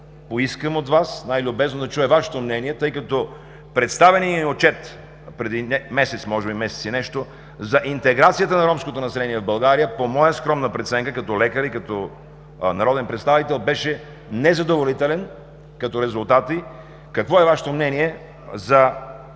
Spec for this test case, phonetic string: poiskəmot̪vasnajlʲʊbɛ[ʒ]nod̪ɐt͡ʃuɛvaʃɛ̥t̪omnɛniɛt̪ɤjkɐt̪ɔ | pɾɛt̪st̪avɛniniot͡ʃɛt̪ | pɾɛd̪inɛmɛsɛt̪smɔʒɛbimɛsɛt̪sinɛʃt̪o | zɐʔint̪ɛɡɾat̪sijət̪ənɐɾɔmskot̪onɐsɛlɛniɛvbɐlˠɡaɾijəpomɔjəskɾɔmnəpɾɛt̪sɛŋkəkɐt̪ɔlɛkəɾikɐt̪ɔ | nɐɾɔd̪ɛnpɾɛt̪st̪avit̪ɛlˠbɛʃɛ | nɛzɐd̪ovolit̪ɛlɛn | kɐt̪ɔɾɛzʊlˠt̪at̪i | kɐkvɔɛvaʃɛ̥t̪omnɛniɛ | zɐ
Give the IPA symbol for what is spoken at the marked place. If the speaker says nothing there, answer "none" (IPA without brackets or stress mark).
z